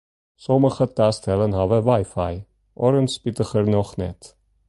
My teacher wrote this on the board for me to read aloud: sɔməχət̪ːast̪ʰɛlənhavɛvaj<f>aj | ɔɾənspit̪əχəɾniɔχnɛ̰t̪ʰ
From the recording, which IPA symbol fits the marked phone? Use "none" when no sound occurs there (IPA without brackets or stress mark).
f